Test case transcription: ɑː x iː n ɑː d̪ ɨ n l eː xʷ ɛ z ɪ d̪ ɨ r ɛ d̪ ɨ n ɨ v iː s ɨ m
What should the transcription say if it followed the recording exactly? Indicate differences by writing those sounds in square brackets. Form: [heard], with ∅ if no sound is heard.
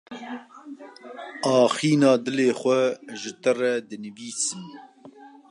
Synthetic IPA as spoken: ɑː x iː n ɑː d̪ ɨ [∅] l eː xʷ ɛ [ʒ] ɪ [t̪] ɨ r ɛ d̪ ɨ n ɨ v iː s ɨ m

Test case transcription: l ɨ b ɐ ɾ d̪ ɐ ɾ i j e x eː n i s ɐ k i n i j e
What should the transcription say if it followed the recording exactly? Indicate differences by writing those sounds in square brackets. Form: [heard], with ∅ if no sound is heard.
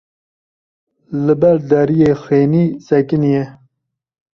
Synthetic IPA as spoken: l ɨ b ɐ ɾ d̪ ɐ ɾ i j e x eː n i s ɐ k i n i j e

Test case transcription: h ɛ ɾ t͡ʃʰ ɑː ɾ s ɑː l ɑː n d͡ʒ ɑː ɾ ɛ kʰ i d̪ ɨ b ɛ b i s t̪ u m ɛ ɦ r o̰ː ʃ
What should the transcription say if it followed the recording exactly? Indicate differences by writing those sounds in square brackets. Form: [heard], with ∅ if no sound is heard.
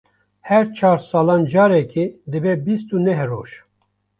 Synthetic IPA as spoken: h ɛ ɾ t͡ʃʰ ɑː ɾ s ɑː l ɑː n d͡ʒ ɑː ɾ ɛ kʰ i d̪ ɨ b ɛ b i s t̪ u [n] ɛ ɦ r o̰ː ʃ

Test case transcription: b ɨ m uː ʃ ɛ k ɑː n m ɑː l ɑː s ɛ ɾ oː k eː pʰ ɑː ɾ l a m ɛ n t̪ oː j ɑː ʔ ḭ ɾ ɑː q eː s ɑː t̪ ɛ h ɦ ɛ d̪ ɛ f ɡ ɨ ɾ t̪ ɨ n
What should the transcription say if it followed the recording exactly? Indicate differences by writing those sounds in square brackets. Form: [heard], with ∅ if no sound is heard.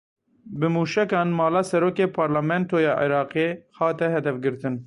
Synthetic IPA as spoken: b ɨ m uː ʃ ɛ k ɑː n m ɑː l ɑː s ɛ ɾ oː k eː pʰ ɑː ɾ l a m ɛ n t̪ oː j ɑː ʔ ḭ ɾ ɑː q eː [h] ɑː t̪ ɛ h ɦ ɛ d̪ ɛ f ɡ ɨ ɾ t̪ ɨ n

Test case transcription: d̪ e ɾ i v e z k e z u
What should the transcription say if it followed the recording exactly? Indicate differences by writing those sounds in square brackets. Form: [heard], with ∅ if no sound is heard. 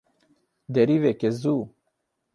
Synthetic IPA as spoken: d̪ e ɾ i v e [∅] k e z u

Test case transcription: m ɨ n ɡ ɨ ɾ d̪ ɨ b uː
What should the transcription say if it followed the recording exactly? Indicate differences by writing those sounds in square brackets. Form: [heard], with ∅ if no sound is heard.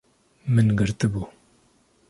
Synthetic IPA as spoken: m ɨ n ɡ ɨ ɾ [t̪] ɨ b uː

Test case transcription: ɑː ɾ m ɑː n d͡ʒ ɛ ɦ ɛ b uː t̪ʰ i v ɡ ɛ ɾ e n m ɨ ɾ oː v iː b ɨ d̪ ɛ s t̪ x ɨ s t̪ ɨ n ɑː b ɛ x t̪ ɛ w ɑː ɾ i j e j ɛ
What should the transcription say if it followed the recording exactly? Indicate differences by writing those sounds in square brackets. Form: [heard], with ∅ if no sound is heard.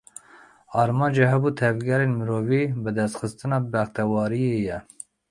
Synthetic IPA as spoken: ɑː ɾ m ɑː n d͡ʒ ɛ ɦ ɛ b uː t̪ʰ [ɛ] v ɡ ɛ ɾ e n m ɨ ɾ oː v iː b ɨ d̪ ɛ s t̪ x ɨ s t̪ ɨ n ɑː b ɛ x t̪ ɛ w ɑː ɾ i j e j ɛ

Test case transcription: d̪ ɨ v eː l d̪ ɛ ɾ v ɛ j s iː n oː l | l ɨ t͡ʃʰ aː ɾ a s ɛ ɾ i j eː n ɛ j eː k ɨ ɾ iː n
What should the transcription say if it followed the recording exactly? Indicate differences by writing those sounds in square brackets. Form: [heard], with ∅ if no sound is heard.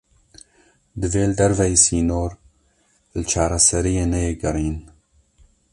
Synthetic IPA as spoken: d̪ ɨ v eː l d̪ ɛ ɾ v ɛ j s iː n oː [ɾ] | l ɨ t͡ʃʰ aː ɾ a s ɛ ɾ i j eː n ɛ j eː [ɡ] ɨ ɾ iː n

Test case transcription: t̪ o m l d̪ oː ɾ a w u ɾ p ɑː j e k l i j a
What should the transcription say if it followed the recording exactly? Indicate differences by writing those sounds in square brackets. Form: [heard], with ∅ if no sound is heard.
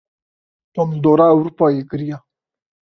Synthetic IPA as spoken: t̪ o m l d̪ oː ɾ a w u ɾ p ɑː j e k [ɾ] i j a

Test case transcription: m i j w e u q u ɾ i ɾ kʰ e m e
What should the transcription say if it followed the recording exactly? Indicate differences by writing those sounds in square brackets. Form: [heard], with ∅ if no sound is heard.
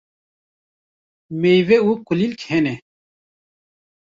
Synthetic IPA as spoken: m [e] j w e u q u [l] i [l] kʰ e [n] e

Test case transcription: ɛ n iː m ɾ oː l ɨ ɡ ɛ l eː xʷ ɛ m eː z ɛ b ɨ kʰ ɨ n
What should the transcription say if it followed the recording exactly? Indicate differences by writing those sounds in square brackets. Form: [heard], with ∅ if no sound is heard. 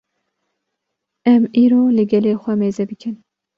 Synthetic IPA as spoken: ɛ [m] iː [∅] ɾ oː l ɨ ɡ ɛ l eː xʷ ɛ m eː z ɛ b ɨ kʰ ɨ n

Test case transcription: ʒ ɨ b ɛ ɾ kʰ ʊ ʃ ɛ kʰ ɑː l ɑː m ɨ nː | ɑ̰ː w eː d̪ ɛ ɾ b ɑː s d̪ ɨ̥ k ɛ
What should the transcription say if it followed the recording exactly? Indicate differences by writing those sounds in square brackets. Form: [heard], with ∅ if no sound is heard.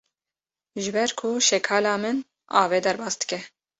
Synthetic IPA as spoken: ʒ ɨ b ɛ ɾ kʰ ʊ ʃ ɛ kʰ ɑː l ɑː m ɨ [n] | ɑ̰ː [v] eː d̪ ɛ ɾ b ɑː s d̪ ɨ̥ k ɛ

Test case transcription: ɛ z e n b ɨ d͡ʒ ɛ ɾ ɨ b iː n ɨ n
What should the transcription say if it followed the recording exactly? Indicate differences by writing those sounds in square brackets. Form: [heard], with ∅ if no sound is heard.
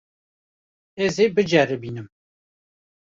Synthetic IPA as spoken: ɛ z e [∅] b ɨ d͡ʒ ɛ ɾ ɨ b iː n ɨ [m]

